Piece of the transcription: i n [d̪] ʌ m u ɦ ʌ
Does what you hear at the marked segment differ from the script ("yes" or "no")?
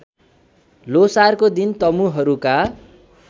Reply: yes